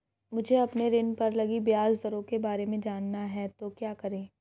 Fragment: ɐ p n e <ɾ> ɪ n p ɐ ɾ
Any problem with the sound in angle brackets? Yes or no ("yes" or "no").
no